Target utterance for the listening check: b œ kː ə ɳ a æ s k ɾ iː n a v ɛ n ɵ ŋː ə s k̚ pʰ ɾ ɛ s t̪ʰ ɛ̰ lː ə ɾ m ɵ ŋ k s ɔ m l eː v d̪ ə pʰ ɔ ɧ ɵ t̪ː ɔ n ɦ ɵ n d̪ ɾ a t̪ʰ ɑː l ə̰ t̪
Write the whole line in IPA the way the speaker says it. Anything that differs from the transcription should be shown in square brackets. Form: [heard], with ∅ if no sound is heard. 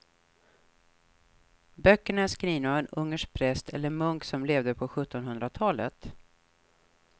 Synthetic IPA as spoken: b œ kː ə ɳ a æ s k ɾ iː n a v ɛ n ɵ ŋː ə [ʂ] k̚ pʰ ɾ ɛ s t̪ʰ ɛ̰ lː ə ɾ m ɵ ŋ k s ɔ m l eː v d̪ ə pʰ ɔ ɧ ɵ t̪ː ɔ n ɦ ɵ n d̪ ɾ a t̪ʰ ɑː l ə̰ t̪